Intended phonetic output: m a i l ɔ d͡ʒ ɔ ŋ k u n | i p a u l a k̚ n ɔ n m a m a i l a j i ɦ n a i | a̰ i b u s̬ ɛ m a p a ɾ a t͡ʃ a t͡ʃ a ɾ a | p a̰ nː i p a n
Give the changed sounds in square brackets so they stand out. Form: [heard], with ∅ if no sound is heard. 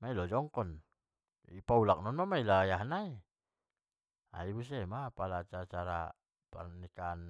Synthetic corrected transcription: m a i l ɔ d͡ʒ ɔ ŋ k [ɔ] n | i p a u l a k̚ n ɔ n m a m a i l a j [a] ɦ n a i | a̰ i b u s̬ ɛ m a p a [l] a t͡ʃ a t͡ʃ a ɾ a | p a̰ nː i [k] a n